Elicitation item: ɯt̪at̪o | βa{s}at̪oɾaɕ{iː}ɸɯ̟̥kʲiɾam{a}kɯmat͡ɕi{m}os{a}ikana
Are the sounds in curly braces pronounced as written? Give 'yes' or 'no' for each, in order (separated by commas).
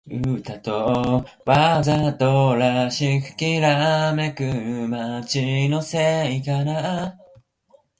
no, no, no, no, no